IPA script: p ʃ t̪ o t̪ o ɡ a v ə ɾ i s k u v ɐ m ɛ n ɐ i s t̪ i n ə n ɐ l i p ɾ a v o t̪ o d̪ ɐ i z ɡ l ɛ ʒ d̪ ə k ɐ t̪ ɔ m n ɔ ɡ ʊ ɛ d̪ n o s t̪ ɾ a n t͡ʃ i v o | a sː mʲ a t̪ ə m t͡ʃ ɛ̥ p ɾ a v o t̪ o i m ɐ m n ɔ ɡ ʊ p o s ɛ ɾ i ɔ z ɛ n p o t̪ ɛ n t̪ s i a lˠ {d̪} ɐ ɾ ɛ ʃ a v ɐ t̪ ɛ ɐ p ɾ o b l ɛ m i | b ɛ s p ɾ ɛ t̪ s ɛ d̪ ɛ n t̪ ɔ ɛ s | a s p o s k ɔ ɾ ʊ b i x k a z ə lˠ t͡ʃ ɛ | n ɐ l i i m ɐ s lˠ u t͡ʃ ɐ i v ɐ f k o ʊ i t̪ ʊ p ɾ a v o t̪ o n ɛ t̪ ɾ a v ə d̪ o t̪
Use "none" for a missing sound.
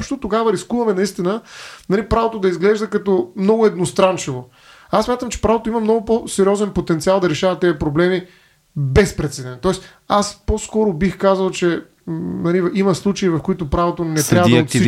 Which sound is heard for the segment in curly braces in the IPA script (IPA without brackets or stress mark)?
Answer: d̪